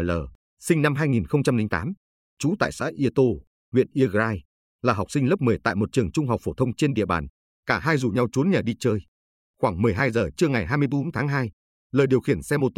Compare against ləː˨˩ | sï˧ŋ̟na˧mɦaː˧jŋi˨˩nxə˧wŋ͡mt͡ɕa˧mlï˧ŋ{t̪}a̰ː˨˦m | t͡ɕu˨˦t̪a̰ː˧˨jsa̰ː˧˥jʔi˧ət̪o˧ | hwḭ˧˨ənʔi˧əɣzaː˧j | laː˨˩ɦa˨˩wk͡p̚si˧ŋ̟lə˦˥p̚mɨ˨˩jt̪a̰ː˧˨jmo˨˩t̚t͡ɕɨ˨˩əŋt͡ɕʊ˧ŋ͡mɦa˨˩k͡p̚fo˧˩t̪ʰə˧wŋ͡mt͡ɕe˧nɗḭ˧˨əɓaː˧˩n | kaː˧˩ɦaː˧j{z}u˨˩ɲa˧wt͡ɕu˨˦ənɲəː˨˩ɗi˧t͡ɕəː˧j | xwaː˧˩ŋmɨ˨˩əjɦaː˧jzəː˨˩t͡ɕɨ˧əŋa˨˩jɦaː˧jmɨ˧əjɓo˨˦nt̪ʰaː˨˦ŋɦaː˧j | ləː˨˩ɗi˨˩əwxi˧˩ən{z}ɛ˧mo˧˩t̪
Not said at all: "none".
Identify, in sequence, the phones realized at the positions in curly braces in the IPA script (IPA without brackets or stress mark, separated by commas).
t̪, z, s